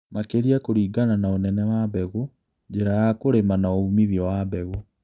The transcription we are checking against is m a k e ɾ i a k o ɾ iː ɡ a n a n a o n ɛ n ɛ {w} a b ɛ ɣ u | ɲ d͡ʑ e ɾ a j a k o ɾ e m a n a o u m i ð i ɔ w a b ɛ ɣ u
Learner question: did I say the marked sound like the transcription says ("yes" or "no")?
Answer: yes